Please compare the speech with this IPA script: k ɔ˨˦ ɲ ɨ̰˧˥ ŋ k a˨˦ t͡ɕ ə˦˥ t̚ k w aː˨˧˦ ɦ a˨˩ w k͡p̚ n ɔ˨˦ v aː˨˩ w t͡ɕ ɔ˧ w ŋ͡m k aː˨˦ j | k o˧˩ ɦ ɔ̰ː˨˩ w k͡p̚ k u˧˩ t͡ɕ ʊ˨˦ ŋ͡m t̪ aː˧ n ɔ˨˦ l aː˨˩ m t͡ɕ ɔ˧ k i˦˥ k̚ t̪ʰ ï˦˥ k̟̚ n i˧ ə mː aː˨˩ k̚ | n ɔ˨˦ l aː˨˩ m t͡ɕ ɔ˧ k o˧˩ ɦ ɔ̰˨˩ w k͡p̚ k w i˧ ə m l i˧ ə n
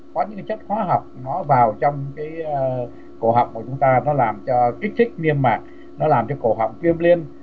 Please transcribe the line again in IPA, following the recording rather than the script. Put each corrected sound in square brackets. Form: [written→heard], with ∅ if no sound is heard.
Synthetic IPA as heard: k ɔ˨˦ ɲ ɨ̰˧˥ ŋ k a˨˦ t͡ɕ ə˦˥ t̚ [k→x] w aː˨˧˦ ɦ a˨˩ w k͡p̚ n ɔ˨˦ v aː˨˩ w t͡ɕ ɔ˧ w ŋ͡m k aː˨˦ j | k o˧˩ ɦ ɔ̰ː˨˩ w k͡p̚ k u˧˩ t͡ɕ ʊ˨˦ ŋ͡m t̪ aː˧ n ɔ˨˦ l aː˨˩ m t͡ɕ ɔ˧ k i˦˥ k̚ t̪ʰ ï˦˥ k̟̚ n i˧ ə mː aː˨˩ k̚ | n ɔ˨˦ l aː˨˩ m t͡ɕ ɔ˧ k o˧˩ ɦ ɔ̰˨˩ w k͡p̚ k w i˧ ə m l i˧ ə n